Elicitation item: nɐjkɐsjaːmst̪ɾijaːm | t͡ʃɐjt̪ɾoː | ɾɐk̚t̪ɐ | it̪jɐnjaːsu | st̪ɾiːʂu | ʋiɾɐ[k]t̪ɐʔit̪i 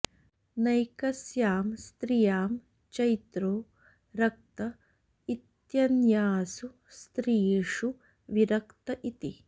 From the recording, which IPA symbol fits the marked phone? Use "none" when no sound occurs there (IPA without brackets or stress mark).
k